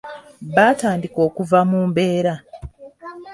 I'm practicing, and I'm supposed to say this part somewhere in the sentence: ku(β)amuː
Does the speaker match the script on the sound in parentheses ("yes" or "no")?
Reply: no